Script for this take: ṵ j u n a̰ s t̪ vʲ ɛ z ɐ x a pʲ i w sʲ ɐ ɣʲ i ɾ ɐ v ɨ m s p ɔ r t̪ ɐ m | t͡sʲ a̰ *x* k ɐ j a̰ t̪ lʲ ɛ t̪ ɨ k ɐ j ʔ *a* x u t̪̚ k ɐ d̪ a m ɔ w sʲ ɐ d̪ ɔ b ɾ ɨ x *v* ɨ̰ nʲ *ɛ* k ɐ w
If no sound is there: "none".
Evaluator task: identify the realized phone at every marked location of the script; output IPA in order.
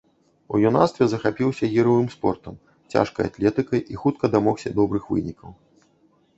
ʂ, i, v, i

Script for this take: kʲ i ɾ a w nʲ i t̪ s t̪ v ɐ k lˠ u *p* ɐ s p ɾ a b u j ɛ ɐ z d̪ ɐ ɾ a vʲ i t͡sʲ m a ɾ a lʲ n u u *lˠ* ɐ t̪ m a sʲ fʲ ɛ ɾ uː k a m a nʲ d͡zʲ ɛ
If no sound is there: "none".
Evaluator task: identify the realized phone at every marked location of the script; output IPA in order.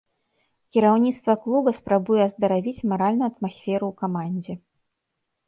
b, none

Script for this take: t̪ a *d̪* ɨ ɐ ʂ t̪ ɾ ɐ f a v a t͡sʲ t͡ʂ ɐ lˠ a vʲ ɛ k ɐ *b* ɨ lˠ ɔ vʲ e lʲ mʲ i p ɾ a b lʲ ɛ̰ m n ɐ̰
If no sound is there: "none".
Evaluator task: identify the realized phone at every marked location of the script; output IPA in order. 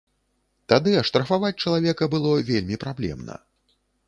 d̪, b

